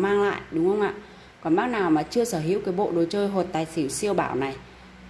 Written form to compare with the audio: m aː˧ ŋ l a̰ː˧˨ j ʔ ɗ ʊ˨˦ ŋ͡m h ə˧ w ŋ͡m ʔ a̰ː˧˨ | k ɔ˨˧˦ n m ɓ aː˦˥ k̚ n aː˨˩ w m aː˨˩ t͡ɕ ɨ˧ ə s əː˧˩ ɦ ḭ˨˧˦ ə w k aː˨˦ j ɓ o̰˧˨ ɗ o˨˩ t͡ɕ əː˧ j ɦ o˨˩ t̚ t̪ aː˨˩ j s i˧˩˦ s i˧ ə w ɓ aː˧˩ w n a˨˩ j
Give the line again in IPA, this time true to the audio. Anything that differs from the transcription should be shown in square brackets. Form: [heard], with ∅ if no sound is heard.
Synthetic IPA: m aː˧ ŋ l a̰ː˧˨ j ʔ ɗ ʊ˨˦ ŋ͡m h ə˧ w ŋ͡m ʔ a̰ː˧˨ | k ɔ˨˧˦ n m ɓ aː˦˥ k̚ n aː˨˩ w m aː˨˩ t͡ɕ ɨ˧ ə s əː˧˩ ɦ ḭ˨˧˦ ə w k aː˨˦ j ɓ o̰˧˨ ɗ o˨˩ t͡ɕ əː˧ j ɦ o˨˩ t̚ t̪ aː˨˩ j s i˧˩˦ s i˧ ə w ɓ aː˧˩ w n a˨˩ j